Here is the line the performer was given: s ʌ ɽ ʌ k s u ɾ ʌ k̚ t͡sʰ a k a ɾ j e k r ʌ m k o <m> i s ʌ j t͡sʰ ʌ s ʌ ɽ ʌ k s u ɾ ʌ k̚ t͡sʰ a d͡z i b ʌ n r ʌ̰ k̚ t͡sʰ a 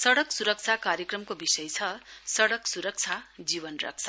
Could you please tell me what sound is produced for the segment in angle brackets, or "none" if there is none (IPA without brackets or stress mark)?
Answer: b